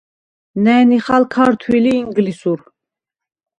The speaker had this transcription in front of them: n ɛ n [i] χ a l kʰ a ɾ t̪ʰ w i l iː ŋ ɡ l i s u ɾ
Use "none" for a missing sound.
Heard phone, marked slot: i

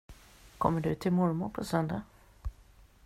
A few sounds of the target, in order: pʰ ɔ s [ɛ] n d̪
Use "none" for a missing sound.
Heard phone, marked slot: œ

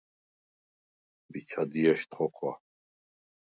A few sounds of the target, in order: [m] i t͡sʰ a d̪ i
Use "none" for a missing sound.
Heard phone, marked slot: b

